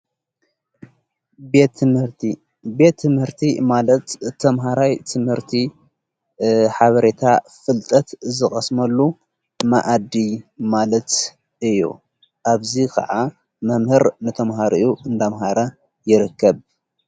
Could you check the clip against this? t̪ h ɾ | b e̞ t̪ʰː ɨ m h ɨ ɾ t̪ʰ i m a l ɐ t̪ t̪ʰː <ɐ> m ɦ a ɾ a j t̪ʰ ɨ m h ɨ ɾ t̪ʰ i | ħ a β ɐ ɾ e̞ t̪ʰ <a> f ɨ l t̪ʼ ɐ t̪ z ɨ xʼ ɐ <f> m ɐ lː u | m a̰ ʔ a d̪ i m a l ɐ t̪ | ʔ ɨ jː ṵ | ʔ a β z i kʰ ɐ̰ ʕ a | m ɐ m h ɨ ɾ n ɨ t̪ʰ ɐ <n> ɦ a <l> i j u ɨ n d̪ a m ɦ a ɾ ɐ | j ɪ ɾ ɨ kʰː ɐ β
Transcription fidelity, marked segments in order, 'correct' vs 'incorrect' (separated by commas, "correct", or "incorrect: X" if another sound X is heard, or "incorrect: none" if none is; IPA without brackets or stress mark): correct, correct, incorrect: s, incorrect: m, incorrect: ɾ